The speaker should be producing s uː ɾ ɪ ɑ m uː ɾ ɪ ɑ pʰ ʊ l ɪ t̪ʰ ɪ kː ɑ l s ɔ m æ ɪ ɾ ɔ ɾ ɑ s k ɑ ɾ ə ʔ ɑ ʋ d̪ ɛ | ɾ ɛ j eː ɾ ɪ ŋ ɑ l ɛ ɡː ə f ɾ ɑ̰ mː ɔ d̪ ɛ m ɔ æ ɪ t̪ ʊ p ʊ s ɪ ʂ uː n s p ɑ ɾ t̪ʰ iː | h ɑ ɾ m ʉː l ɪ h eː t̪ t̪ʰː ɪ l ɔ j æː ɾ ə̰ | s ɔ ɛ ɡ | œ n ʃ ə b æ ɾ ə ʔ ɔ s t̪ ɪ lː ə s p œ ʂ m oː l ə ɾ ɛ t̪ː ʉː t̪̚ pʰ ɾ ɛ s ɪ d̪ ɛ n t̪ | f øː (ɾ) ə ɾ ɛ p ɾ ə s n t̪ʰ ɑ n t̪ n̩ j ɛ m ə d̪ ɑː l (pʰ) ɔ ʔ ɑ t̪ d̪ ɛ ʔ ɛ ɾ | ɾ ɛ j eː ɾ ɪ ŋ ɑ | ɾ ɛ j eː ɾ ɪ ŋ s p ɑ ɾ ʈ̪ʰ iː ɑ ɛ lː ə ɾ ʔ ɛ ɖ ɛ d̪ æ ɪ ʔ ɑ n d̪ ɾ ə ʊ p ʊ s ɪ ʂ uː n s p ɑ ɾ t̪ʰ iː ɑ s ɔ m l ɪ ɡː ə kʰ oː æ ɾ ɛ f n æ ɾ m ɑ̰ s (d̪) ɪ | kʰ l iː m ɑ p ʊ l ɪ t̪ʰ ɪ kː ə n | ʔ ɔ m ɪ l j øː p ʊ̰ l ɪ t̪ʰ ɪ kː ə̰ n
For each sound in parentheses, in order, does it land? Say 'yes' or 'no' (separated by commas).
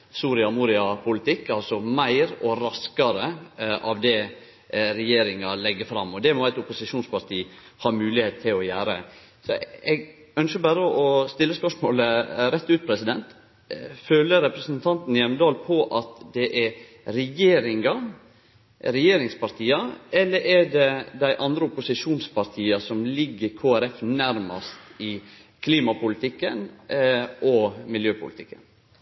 no, yes, no